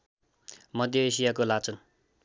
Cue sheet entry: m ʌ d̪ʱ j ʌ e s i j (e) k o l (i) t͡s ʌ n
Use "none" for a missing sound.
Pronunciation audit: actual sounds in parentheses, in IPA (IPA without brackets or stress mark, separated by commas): a, a